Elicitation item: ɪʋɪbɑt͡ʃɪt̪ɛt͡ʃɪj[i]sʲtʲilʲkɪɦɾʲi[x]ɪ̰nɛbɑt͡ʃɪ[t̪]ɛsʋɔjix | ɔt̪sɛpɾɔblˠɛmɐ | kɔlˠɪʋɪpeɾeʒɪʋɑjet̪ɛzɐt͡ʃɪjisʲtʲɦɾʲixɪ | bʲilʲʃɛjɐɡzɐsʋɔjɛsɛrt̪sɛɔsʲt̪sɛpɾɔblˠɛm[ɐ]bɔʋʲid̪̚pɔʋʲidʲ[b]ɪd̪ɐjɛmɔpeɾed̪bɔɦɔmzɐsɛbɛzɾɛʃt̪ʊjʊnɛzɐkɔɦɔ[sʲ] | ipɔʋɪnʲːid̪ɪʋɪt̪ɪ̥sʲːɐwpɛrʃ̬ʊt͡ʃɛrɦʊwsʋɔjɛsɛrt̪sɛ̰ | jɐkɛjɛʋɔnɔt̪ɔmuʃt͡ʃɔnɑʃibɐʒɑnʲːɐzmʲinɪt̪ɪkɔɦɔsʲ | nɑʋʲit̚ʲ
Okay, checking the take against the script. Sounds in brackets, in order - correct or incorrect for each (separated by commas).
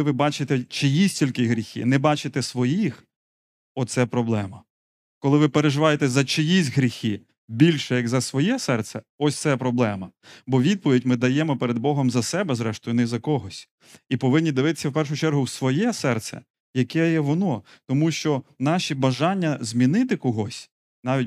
correct, correct, correct, correct, incorrect, correct